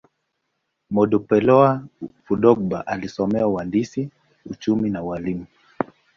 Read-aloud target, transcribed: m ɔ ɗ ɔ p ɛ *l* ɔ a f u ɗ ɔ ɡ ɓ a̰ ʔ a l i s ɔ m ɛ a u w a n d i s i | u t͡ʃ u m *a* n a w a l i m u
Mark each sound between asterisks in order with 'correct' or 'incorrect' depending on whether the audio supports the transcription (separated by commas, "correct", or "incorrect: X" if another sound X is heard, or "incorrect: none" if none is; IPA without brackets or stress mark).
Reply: correct, incorrect: i